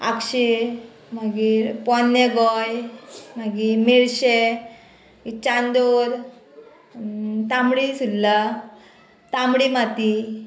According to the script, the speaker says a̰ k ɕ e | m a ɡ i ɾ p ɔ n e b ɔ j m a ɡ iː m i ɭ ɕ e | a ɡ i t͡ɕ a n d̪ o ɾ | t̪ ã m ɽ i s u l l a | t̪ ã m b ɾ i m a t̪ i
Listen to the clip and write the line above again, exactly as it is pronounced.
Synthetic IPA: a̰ k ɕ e | m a ɡ i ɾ p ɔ n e ɡ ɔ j m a ɡ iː m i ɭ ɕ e | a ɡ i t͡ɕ a n d̪ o ɾ | t̪ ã m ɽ i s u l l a | t̪ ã m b ɽ i m a t̪ i